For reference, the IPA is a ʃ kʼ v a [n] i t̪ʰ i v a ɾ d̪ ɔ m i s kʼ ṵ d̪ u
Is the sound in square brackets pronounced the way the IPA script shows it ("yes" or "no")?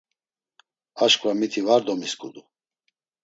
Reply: no